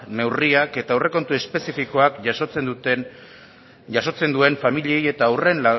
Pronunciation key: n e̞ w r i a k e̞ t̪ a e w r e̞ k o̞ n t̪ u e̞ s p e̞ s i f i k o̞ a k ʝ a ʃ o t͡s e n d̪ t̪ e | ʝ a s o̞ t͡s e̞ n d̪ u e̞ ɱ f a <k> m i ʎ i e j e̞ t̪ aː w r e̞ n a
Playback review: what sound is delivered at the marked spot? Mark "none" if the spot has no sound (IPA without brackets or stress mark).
none